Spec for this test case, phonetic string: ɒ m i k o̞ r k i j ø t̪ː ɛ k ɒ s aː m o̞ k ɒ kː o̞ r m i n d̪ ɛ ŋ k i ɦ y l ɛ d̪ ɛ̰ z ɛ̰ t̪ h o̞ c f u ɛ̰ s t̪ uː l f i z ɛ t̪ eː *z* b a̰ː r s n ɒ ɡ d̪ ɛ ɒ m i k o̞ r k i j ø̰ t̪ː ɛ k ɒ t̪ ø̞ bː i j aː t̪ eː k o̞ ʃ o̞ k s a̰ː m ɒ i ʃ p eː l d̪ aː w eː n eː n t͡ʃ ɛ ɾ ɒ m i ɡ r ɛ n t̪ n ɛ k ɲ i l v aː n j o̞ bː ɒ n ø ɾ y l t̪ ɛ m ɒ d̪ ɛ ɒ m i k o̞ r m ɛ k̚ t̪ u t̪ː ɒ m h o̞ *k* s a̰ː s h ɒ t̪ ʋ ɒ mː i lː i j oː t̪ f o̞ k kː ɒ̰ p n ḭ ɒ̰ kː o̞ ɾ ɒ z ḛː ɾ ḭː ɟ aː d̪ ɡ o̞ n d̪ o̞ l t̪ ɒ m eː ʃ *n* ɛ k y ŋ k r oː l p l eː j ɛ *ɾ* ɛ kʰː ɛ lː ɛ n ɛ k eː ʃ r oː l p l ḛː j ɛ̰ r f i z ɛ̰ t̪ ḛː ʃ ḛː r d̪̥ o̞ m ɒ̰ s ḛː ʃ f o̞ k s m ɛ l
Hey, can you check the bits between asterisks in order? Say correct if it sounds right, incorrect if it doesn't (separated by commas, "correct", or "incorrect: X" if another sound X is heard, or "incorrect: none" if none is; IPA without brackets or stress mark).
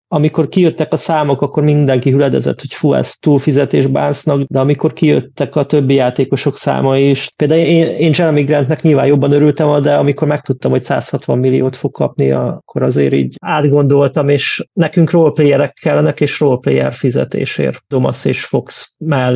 incorrect: ʒ, incorrect: c, correct, correct